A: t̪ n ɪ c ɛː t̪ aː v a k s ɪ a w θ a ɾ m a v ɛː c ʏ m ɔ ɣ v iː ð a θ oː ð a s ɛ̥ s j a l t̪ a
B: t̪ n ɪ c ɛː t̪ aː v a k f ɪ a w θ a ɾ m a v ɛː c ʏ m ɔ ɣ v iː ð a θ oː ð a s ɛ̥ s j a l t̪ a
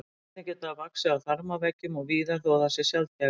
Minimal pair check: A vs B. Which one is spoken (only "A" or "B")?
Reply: A